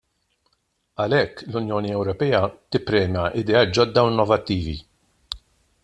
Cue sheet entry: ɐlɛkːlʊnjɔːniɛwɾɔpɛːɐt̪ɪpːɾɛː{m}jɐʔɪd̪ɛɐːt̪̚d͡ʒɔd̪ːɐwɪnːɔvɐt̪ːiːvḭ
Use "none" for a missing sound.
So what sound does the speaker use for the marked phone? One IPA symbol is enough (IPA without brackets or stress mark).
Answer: m